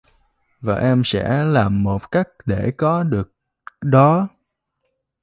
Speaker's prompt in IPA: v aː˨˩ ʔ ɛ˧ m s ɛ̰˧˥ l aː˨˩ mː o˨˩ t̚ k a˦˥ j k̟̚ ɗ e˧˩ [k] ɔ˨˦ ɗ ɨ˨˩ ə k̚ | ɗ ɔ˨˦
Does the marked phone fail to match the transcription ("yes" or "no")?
no